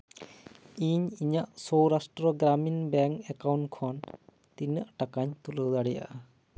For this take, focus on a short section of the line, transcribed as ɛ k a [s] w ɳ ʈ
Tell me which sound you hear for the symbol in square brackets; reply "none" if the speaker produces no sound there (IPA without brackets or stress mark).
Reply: none